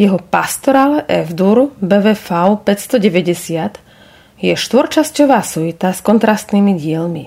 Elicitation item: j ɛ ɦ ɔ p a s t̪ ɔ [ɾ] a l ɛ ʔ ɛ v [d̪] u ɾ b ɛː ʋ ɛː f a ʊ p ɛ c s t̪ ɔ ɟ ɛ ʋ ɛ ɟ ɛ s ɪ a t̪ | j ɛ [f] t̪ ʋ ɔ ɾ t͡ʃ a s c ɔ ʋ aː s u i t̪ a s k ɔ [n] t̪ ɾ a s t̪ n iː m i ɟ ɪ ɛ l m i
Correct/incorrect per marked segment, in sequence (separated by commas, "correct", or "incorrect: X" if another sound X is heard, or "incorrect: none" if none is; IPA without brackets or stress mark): correct, correct, incorrect: ʃ, correct